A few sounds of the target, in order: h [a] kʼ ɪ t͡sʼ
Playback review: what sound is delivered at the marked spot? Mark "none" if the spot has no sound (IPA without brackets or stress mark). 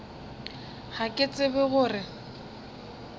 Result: a